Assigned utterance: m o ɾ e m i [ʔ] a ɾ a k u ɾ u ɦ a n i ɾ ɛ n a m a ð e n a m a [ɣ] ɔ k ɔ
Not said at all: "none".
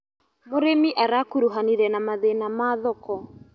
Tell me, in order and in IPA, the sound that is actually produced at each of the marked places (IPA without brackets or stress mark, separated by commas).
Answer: ʔ, ð